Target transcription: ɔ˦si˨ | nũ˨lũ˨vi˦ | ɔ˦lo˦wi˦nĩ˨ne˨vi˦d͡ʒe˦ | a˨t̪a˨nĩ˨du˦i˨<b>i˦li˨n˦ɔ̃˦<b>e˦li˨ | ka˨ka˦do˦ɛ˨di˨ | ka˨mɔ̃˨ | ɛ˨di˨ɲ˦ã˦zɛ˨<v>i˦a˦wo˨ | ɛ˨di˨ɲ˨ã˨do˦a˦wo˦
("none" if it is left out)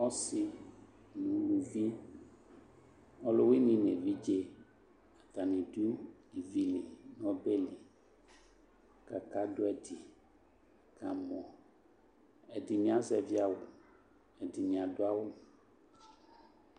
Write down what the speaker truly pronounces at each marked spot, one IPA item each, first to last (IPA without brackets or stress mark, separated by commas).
v, b, v